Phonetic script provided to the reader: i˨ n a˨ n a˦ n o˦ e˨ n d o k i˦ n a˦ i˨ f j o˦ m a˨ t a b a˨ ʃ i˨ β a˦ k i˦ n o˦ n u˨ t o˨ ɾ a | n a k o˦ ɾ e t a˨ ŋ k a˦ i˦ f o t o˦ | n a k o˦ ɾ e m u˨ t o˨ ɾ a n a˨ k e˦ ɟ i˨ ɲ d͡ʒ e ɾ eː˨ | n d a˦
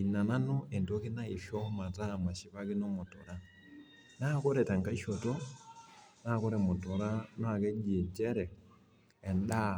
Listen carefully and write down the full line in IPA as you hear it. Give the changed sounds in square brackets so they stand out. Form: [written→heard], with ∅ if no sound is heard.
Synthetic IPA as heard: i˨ n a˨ n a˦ n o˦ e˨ n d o k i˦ n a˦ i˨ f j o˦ m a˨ t a [b→m] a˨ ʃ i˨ β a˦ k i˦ n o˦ [n→m] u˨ t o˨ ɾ a | n a k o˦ ɾ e t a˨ ŋ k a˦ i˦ [f→ʃ] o t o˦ | n a k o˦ ɾ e m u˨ t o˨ ɾ a n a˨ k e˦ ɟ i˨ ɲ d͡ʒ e ɾ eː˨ | n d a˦

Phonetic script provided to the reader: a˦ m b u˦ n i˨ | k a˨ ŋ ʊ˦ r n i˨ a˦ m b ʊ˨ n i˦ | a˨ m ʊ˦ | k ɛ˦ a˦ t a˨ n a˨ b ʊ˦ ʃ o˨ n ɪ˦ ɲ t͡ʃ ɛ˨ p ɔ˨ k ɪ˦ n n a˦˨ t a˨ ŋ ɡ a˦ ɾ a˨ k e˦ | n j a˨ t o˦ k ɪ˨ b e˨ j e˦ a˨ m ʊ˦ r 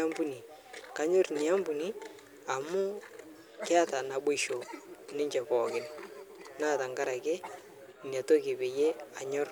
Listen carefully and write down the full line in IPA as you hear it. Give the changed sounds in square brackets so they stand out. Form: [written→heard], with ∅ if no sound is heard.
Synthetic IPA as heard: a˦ m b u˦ n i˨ | k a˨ [ŋ→ɲ] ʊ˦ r n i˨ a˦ m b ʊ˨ n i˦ | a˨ m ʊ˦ | k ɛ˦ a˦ t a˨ n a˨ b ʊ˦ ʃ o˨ n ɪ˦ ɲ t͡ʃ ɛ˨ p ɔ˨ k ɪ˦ n n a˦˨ t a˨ ŋ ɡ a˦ ɾ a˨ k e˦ | n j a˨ t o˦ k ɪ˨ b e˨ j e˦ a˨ [m→ɲ] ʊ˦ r

